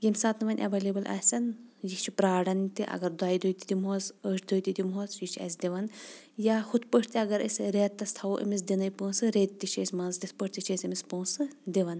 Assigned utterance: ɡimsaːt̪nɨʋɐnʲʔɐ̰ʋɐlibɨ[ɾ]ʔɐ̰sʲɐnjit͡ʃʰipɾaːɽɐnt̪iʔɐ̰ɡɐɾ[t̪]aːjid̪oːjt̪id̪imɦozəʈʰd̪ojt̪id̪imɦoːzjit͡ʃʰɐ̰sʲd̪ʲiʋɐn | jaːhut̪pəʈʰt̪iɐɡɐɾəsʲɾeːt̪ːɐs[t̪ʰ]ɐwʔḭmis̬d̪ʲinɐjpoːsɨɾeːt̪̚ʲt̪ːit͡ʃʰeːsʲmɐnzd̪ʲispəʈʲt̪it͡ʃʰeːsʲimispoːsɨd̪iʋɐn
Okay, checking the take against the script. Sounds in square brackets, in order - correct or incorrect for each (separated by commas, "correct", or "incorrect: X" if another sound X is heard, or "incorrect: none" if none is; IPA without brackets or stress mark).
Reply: incorrect: l, incorrect: d̪, correct